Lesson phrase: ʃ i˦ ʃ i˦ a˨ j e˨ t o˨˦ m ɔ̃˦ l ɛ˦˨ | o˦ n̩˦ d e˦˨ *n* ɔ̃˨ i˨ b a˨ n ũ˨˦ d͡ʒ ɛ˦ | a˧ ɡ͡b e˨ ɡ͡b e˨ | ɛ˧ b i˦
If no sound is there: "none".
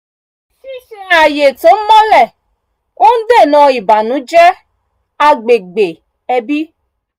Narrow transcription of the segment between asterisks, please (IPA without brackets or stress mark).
n